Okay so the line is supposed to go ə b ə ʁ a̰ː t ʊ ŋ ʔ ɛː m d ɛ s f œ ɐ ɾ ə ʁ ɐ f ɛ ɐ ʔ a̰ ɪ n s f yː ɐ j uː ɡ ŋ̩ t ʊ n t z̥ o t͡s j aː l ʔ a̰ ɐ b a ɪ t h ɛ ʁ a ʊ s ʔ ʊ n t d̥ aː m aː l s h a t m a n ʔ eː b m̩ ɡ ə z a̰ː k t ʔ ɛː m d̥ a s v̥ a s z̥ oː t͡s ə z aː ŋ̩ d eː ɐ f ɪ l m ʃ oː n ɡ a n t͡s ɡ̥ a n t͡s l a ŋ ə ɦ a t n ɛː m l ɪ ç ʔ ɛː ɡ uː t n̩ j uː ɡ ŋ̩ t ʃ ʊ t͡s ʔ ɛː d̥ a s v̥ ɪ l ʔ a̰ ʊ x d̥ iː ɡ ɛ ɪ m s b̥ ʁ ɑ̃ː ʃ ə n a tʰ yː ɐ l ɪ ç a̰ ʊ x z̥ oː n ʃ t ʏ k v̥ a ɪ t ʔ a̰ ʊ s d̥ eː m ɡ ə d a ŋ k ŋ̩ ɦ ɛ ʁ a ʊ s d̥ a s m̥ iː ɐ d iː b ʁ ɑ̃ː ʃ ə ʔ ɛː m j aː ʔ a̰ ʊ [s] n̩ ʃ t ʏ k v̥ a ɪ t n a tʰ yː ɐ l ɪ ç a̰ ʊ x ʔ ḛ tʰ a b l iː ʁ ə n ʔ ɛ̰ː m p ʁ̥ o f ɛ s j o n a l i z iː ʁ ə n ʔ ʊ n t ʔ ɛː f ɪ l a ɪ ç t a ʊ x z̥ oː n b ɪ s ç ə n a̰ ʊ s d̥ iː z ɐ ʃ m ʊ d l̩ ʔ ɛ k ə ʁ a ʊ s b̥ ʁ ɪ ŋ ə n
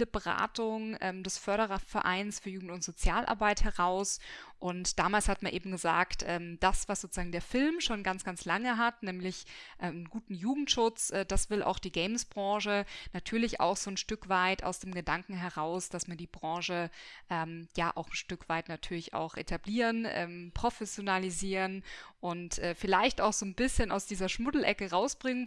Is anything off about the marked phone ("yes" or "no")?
yes